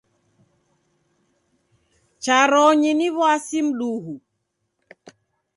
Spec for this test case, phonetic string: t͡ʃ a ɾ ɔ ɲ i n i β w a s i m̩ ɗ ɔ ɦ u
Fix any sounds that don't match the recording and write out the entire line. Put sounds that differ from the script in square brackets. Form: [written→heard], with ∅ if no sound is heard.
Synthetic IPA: t͡ʃ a ɾ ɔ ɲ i n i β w a s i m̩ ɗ [ɔ→u] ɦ u